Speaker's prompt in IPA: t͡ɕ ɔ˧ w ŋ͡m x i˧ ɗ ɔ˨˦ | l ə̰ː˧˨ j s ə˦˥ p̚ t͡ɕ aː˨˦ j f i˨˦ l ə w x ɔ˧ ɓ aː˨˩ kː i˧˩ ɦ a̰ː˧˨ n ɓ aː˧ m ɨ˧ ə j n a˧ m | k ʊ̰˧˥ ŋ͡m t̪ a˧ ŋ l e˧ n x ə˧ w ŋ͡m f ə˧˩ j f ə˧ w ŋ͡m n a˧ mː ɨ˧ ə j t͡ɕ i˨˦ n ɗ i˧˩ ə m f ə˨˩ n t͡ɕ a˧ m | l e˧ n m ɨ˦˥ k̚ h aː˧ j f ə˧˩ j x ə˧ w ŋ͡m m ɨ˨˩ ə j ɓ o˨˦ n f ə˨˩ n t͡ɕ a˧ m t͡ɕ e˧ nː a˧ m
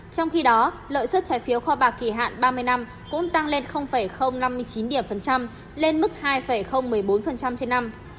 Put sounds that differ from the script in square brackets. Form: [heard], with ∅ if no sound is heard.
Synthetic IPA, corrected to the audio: t͡ɕ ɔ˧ w ŋ͡m x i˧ ɗ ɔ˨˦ | l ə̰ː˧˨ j s ə˦˥ [t̚] t͡ɕ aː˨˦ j f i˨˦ [∅] ə w x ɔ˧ ɓ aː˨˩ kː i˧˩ ɦ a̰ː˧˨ n ɓ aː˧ m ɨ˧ ə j n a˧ m | k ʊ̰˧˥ ŋ͡m t̪ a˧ ŋ l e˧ n x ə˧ w ŋ͡m f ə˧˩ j [x] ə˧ w ŋ͡m n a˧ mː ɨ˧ ə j t͡ɕ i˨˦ n ɗ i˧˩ ə m f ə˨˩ n t͡ɕ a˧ m | l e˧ n m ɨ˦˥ k̚ h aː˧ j f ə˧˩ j x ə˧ w ŋ͡m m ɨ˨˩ ə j ɓ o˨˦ n f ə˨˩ n t͡ɕ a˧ m t͡ɕ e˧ nː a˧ m